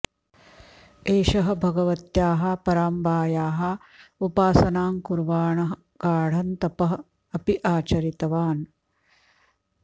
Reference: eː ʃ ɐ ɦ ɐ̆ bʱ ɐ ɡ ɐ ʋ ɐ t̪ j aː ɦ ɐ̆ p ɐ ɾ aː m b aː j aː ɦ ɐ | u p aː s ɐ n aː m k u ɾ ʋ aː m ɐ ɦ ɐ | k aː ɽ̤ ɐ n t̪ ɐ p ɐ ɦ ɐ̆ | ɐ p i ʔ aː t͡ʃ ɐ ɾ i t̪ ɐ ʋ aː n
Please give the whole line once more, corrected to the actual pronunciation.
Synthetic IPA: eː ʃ ɐ ɦ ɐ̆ bʱ ɐ ɡ ɐ ʋ ɐ t̪ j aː ɦ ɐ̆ p ɐ ɾ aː m b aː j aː ɦ ɐ | u p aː s ɐ n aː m k u ɾ ʋ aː ɳ ɐ ɦ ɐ | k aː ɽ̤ ɐ n t̪ ɐ p ɐ ɦ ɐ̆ | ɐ p i ʔ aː t͡ʃ ɐ ɾ i t̪ ɐ ʋ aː n

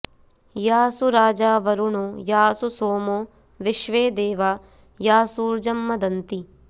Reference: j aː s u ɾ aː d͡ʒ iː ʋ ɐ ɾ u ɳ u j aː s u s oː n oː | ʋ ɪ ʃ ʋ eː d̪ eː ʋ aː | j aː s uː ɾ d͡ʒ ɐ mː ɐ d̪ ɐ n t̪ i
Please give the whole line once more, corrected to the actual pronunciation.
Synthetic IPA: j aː s u ɾ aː d͡ʒ aː ʋ ɐ ɾ u ɳ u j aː s u s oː m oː | ʋ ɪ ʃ ʋ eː d̪ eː ʋ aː | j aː s uː ɾ d͡ʒ ɐ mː ɐ d̪ ɐ n t̪ i

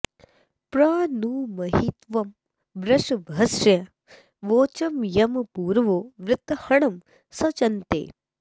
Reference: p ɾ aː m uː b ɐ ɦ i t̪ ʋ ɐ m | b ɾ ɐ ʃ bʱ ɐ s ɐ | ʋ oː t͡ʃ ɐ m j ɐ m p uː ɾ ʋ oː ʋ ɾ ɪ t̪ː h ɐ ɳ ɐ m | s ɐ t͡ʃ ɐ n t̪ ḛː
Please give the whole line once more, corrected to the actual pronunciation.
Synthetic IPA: p ɾ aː n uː m ɐ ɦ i t̪ ʋ ɐ m | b ɾ ɐ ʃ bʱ ɐ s ɐ | ʋ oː t͡ʃ ɐ m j ɐ m p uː ɾ ʋ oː ʋ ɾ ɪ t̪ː h ɐ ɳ ɐ m | s ɐ t͡ʃ ɐ n t̪ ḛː

